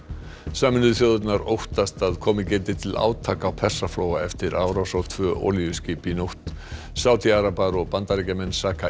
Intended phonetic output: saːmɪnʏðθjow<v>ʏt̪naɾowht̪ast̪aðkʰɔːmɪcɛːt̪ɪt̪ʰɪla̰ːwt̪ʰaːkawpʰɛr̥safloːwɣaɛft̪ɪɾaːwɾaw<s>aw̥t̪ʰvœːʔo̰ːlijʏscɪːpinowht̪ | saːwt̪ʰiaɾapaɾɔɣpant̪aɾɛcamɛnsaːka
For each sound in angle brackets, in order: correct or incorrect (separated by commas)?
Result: incorrect, correct